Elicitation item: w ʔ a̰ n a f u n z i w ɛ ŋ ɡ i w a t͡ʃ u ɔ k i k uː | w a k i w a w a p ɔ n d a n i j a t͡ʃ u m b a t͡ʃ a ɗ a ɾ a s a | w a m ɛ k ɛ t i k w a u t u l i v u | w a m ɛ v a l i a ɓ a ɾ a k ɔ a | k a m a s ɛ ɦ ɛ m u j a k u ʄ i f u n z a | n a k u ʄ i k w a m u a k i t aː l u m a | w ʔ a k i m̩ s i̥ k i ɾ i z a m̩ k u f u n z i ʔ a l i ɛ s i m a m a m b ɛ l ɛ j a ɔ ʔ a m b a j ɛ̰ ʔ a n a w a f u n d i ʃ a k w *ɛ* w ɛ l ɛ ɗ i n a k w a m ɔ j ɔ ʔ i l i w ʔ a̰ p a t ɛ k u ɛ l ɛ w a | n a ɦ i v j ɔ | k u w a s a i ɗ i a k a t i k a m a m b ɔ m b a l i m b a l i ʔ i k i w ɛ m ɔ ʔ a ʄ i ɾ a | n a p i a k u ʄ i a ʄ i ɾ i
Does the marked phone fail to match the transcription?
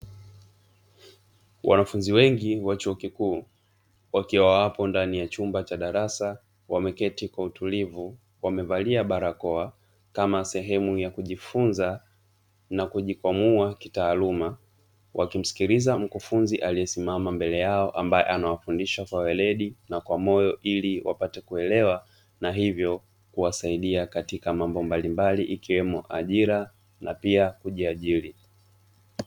yes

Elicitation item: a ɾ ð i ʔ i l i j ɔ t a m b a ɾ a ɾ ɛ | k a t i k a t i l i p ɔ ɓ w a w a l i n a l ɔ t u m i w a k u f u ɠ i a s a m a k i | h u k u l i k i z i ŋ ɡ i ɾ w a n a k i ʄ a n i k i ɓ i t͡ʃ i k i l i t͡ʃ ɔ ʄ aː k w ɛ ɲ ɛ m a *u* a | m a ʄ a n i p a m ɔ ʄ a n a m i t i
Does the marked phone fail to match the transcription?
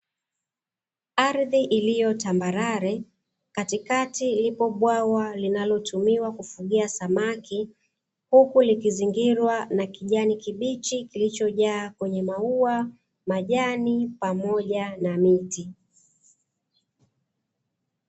no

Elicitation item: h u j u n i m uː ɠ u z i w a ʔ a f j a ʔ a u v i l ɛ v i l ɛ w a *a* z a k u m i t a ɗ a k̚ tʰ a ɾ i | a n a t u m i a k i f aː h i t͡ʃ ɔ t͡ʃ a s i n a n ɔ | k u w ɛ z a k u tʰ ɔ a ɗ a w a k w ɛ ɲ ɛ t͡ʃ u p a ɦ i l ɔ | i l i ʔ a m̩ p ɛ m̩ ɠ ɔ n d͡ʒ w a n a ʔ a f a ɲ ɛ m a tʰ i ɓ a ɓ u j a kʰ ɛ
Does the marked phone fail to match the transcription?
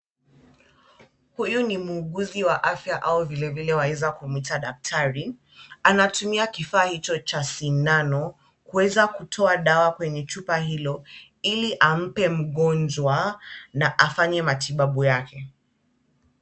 yes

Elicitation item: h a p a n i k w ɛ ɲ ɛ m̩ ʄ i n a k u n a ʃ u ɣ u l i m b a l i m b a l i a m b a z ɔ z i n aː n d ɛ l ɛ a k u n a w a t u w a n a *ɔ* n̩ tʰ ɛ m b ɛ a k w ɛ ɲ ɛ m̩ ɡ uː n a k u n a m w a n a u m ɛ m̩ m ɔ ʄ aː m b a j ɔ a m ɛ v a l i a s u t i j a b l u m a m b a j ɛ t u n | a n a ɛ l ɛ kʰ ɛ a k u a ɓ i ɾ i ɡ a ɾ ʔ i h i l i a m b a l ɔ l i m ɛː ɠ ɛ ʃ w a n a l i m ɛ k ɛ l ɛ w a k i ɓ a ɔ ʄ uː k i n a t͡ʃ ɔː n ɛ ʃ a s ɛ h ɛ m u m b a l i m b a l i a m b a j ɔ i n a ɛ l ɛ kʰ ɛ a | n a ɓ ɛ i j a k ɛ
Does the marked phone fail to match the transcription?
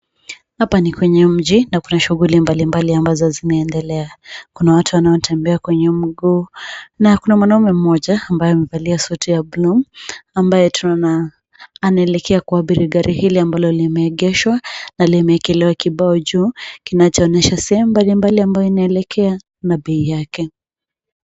no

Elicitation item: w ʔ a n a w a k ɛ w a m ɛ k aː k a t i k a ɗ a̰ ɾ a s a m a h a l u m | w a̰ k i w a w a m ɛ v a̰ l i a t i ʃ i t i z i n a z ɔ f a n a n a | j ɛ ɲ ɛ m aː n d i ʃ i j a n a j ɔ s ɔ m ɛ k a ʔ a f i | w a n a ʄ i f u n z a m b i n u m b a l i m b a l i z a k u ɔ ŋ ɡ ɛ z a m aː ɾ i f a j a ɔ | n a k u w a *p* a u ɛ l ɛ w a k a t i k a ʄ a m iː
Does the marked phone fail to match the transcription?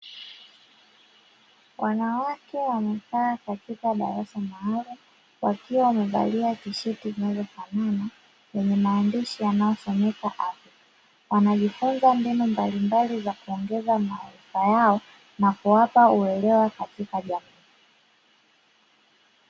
no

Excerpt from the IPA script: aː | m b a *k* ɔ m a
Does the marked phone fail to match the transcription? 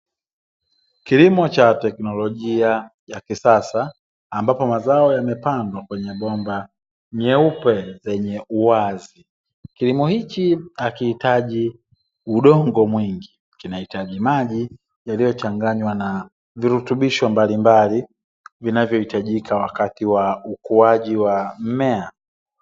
yes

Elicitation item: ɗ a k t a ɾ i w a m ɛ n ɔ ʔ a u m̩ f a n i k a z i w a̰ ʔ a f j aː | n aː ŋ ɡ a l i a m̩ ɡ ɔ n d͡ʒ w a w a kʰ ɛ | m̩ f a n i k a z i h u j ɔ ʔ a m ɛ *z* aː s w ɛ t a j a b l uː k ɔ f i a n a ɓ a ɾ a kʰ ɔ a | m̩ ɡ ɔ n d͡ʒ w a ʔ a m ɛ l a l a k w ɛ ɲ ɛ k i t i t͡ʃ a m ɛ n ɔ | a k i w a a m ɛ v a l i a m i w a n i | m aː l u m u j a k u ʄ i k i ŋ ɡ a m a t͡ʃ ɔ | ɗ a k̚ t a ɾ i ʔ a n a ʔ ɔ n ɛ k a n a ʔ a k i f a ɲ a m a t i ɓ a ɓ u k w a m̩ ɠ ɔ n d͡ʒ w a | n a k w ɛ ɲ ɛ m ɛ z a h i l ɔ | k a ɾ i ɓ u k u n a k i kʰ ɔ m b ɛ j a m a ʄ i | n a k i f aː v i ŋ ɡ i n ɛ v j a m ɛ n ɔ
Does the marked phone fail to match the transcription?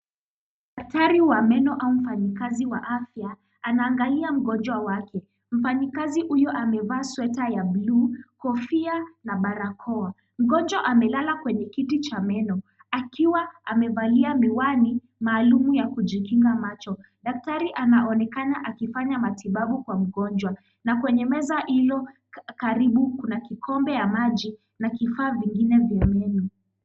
yes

